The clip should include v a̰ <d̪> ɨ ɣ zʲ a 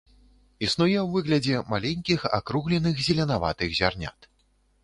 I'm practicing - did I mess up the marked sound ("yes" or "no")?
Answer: yes